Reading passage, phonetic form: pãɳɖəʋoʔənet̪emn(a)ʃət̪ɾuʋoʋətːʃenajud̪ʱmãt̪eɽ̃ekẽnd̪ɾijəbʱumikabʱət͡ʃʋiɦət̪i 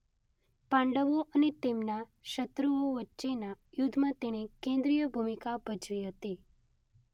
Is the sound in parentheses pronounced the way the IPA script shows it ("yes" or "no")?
yes